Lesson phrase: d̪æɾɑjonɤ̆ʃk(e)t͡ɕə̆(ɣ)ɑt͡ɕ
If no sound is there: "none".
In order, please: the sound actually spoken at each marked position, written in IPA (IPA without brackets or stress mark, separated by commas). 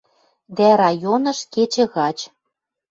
e, ɣ